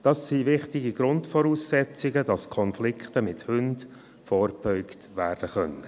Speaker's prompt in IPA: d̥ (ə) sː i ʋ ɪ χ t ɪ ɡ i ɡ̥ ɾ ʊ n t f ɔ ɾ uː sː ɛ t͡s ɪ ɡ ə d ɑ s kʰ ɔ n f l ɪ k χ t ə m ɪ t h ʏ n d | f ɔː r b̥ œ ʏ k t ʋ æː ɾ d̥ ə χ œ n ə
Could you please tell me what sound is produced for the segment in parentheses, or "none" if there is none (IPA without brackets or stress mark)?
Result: ɑ